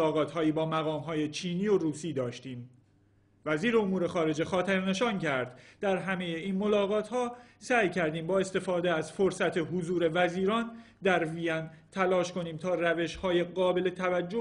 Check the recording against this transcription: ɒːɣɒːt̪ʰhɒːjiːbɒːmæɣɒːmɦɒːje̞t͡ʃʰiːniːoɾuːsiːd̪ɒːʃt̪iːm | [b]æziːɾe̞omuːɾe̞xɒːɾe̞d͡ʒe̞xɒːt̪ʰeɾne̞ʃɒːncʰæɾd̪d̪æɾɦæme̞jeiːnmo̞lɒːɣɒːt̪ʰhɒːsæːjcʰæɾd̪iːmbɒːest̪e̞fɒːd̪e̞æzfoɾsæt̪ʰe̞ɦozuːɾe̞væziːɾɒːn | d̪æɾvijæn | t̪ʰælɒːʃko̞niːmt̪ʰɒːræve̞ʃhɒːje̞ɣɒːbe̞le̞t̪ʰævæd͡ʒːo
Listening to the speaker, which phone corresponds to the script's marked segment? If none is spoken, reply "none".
v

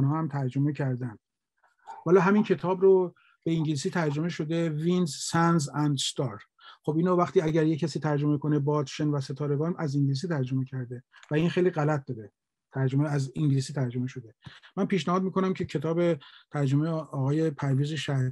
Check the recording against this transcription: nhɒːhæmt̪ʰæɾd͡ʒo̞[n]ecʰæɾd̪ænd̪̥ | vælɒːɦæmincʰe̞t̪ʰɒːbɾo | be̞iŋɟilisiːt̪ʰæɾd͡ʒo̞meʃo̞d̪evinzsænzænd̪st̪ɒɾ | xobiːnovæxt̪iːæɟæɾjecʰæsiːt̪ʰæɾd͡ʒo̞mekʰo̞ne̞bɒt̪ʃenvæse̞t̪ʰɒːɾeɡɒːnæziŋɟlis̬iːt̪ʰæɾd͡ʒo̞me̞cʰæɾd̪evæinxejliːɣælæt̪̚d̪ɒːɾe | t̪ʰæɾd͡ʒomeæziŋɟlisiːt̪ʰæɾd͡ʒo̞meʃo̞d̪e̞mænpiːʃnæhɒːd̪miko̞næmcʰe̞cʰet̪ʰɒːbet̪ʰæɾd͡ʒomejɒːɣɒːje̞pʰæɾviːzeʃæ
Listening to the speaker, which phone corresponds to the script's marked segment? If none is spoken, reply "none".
m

